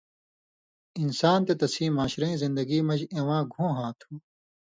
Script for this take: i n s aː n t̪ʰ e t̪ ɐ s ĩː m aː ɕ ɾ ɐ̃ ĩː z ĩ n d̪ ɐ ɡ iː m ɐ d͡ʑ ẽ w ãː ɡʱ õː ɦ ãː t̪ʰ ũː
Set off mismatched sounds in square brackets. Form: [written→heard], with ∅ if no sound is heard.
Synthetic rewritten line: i n s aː n [t̪ʰ→t̪] e t̪ ɐ s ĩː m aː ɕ ɾ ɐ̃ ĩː z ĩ n d̪ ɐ ɡ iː m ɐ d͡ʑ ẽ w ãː ɡʱ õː ɦ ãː t̪ʰ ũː